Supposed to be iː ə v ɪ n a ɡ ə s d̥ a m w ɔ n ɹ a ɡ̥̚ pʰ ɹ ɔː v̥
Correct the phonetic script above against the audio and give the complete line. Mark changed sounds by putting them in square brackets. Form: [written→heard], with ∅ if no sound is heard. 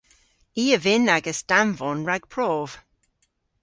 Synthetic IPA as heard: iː ə v ɪ n a ɡ ə s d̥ a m [w→v] ɔ n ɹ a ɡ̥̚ pʰ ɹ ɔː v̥